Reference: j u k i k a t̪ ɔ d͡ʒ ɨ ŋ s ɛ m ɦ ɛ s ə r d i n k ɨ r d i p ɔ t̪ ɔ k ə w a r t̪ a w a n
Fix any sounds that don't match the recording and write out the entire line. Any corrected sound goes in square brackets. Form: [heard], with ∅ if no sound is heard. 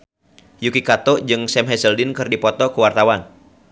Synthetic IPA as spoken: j u k i k a t̪ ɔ d͡ʒ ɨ ŋ s ɛ m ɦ ɛ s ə [l] d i n k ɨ r d i p ɔ t̪ ɔ k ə w a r t̪ a w a n